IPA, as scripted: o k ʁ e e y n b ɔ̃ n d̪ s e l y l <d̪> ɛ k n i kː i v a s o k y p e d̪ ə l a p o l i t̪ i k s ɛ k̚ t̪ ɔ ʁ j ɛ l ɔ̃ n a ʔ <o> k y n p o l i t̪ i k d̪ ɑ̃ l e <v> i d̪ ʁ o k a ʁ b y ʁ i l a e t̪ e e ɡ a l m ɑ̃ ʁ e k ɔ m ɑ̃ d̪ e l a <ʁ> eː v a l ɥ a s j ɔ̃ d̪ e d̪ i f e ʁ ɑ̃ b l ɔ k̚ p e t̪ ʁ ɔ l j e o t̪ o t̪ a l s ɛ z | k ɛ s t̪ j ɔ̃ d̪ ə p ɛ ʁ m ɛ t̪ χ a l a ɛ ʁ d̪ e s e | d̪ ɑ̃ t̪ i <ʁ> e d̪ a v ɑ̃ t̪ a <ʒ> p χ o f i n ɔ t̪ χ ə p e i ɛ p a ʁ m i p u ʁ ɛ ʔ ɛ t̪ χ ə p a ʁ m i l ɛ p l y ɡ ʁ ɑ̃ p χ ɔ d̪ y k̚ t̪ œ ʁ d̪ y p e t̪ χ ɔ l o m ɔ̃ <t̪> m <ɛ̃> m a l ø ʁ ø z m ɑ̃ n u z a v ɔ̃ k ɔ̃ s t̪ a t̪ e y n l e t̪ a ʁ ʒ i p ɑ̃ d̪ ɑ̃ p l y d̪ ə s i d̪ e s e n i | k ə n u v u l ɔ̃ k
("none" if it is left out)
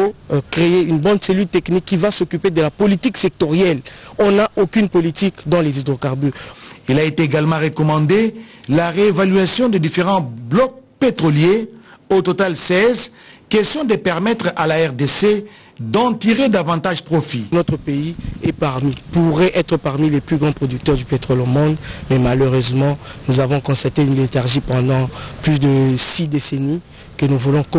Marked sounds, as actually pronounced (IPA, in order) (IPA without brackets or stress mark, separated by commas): t̪, o, z, ʁ, ʁ, ʒ, d̪, ɛ